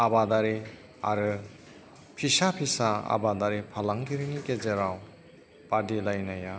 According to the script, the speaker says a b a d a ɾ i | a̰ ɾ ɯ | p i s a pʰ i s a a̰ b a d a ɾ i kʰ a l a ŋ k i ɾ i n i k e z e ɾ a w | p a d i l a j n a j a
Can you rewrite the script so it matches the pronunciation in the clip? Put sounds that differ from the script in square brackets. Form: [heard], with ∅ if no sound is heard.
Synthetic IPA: a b a d a ɾ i | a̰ ɾ ɯ | [pʰ] i s a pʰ i s a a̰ b a d a ɾ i [pʰ] a l a ŋ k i ɾ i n i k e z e ɾ a w | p a d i l a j n a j a